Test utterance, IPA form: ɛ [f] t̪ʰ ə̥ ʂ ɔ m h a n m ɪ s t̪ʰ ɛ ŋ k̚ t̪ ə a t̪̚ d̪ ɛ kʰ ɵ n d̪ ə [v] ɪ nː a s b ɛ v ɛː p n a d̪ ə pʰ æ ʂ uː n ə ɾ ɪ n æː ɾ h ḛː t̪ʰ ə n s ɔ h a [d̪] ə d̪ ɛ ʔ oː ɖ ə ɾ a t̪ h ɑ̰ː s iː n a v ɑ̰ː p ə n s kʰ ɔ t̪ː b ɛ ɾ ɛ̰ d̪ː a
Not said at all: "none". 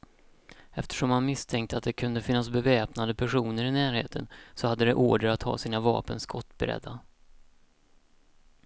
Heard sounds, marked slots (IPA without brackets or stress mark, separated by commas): f, f, d̪ː